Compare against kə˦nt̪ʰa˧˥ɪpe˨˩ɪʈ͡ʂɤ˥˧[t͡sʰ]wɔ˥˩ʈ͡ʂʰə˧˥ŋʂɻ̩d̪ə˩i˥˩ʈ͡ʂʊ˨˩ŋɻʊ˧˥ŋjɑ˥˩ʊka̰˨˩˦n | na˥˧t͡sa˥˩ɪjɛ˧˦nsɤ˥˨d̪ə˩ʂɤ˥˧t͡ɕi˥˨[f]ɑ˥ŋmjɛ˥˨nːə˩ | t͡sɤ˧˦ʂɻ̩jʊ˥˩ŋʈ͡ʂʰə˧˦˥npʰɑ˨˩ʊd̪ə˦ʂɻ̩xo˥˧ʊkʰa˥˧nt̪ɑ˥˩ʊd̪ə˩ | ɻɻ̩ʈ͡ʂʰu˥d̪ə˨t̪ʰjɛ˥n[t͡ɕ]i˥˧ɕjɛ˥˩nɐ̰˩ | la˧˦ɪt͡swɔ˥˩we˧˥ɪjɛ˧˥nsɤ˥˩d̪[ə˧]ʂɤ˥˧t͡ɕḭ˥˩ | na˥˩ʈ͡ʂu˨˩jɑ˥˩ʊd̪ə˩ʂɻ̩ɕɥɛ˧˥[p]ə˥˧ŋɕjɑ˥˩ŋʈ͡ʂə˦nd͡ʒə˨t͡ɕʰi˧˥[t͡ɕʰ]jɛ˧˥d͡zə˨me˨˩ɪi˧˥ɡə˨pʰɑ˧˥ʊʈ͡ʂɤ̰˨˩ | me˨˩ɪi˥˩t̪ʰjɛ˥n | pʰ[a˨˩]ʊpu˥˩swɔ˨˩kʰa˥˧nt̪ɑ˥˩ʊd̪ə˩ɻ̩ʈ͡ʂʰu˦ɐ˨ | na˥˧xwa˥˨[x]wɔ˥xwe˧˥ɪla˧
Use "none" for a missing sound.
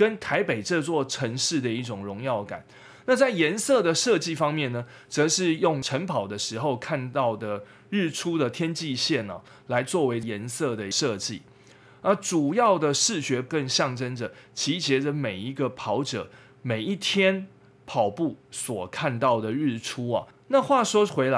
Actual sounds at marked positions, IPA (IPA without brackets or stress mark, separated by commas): t͡s, f, t͡ɕ, ə˩, k, t͡ɕ, ɑ˨˩, ʂ